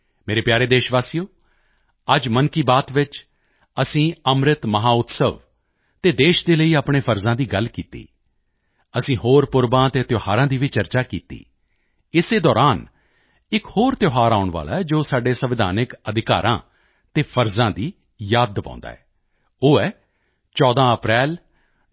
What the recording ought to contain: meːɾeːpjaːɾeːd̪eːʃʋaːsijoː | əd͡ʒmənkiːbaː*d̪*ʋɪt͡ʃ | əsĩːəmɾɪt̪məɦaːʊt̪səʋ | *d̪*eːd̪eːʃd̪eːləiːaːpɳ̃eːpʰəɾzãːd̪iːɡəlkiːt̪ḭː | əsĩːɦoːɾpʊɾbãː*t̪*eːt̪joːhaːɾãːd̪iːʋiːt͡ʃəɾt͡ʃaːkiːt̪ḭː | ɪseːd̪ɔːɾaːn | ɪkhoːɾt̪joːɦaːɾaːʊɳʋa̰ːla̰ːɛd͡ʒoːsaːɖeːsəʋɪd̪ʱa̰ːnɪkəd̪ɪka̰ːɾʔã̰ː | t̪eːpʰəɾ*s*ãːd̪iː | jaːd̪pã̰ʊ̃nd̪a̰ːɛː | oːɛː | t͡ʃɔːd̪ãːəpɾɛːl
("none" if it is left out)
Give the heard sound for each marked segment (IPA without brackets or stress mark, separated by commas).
t̪, t̪, t̪, z